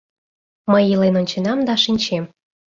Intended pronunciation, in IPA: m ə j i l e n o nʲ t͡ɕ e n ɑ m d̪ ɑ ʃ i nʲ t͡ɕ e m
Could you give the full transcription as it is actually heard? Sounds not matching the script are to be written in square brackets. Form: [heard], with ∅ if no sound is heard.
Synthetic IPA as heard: m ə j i l e n o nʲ t͡ɕ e n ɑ m d̪ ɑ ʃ i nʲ t͡ɕ e m